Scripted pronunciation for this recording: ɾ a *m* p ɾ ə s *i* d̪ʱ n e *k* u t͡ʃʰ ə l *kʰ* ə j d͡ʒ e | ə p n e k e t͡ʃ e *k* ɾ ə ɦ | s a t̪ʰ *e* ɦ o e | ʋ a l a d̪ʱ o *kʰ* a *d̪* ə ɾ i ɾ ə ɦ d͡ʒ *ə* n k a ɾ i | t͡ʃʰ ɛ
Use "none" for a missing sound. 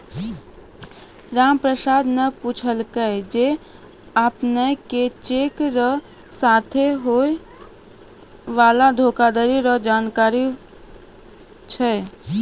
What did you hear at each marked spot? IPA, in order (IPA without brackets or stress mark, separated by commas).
m, a, p, k, k, e, k, d̪, a